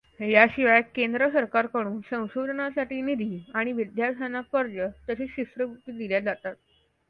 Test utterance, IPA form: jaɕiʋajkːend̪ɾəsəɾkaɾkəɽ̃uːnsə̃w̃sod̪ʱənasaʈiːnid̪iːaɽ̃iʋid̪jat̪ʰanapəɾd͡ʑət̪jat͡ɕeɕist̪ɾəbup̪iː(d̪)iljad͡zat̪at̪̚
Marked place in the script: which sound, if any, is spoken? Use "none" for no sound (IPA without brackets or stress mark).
d̪